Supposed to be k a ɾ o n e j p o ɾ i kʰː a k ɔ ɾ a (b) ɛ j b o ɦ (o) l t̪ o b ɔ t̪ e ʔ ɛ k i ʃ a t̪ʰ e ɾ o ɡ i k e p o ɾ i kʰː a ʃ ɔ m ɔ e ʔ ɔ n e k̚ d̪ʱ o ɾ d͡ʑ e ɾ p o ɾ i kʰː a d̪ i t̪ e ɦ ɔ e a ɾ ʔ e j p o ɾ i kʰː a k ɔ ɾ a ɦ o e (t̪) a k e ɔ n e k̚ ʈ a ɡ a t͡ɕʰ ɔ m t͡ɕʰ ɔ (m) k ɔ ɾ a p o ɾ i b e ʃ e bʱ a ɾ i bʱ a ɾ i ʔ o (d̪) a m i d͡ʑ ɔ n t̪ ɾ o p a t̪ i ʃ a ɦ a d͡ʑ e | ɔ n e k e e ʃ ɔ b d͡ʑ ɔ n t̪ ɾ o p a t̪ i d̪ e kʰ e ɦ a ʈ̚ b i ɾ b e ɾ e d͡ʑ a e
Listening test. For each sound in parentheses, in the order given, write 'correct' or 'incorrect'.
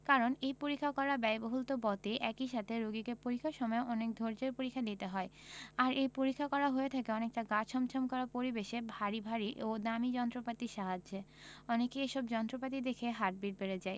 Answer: correct, incorrect, incorrect, correct, correct

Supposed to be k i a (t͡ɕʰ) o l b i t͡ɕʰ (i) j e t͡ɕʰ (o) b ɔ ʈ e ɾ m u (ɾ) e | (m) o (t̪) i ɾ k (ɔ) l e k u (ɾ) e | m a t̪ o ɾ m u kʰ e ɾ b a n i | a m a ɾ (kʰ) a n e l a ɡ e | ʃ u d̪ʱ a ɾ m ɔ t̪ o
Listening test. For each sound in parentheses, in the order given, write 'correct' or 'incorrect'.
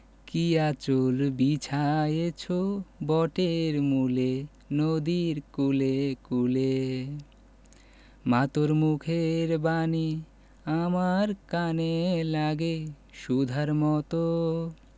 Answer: incorrect, incorrect, correct, incorrect, incorrect, incorrect, incorrect, incorrect, incorrect

